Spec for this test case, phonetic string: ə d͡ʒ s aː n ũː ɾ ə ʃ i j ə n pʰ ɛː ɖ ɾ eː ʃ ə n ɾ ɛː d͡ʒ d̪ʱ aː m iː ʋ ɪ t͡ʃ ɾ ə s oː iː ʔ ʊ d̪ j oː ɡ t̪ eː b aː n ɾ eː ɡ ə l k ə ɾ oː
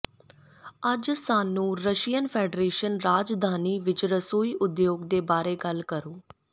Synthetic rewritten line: ə d͡ʒ s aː n ũː ɾ ə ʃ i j ə n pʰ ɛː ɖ ɾ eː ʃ ə n ɾ aː d͡ʒ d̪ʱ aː n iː ʋ ɪ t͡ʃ ɾ ə s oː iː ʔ ʊ d̪ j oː ɡ d̪ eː b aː ɾ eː ɡ ə l k ə ɾ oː